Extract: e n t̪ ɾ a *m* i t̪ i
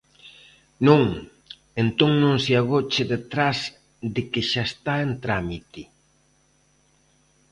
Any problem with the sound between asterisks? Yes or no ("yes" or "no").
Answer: no